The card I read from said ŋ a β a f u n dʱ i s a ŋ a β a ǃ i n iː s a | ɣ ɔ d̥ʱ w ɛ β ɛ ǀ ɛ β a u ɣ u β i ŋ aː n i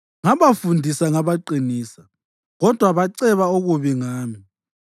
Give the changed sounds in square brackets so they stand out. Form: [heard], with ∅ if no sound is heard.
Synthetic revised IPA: ŋ a β a f u n dʱ i s a ŋ a β a ǃ i n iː s a | ɣ ɔ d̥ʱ w [a] β [a] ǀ ɛ β a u ɣ u β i ŋ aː [m] i